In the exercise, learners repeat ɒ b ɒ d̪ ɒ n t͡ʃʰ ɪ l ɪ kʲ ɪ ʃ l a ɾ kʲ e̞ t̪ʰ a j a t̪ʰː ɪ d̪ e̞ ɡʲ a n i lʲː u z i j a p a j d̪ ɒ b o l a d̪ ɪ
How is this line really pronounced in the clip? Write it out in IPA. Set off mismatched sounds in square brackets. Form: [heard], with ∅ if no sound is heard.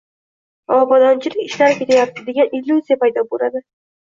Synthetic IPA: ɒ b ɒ d̪ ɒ n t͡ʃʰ ɪ l ɪ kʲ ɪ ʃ l a ɾ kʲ e̞ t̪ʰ a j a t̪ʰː ɪ d̪ e̞ ɡʲ a n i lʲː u z i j a p a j d̪ ɒ b o l a d̪ ɪ